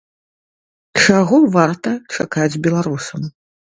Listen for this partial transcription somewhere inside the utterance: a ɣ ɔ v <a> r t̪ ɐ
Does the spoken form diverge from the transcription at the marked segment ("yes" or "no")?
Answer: no